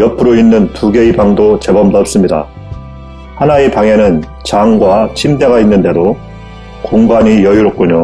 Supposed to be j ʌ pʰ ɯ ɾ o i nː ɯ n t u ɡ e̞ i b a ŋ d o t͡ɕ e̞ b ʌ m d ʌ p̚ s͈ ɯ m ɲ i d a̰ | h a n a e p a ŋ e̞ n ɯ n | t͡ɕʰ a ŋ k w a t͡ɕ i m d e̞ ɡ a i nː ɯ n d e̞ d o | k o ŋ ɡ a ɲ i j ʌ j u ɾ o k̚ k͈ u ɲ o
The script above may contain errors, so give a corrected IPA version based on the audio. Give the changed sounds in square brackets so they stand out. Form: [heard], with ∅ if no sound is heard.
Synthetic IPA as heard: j ʌ pʰ ɯ ɾ o i nː ɯ n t u ɡ e̞ i b a ŋ d o t͡ɕ e̞ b ʌ m d ʌ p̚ s͈ ɯ m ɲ i d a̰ | h a n a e p a ŋ e̞ n ɯ n | [t͡ɕ] a ŋ [ɡ] w a [t͡ɕʰ] i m d e̞ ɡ a i nː ɯ n d e̞ d o | k o ŋ ɡ a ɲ i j ʌ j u ɾ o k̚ k͈ u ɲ o